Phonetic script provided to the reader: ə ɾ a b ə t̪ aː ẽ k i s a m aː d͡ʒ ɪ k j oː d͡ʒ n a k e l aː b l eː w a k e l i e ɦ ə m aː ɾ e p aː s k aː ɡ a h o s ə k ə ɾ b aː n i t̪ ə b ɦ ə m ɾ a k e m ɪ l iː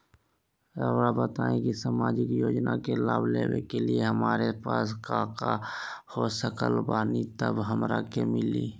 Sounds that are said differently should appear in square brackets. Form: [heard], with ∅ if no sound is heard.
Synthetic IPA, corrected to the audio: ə ɾ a b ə t̪ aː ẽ k i s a m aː d͡ʒ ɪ k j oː d͡ʒ n a k e l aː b l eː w [e] k e l i e ɦ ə m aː ɾ e p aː s k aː [k] a h o s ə k ə [l] b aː n i t̪ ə b ɦ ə m ɾ a k e m ɪ l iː